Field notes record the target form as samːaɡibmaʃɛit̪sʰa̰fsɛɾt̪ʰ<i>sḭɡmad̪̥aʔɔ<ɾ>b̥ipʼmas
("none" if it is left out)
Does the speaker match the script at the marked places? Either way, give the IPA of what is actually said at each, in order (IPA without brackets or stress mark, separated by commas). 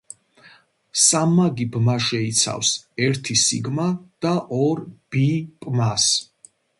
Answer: i, ɾ